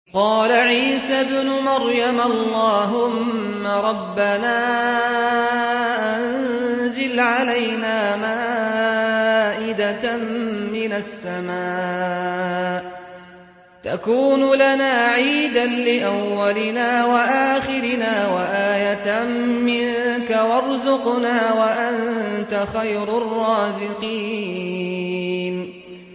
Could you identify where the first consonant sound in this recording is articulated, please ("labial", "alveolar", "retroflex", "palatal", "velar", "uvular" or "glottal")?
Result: uvular